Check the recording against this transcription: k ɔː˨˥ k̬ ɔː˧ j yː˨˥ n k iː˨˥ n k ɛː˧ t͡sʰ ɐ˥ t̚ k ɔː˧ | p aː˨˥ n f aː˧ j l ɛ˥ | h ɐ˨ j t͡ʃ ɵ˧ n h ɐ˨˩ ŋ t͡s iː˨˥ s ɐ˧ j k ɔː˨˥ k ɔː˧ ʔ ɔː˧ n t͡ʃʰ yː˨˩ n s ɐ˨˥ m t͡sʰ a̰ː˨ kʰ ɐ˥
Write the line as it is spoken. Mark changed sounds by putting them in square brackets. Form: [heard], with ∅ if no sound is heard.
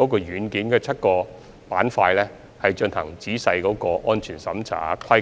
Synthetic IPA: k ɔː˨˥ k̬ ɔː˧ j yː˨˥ n k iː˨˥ n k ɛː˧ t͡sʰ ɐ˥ t̚ k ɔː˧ | p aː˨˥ n f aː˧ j l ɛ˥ | h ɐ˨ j t͡ʃ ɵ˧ n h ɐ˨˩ ŋ t͡s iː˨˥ s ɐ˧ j k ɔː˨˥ k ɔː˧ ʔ [ɔː˥] n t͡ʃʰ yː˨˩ n s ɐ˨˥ m t͡sʰ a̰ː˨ kʰ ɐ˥